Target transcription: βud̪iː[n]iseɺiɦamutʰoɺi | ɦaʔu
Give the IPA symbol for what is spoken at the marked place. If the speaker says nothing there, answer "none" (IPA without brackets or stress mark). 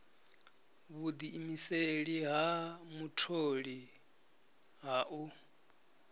m